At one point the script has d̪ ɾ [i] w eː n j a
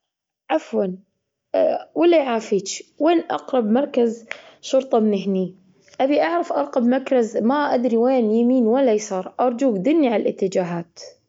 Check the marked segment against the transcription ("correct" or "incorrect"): correct